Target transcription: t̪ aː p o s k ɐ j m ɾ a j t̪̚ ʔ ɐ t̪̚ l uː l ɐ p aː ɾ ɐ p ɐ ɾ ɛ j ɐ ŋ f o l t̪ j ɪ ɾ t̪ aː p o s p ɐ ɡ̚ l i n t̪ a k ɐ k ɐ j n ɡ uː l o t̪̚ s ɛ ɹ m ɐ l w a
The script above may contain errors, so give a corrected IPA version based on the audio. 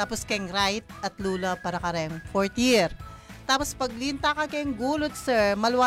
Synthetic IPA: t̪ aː p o s k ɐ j ŋ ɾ a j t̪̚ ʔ ɐ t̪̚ l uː l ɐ p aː ɾ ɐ k ɐ ɾ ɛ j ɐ ŋ f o ɹ t̪ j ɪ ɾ t̪ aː p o s p ɐ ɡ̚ l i n t̪ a k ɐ k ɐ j ŋ ɡ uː l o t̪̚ s ɛ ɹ m ɐ l w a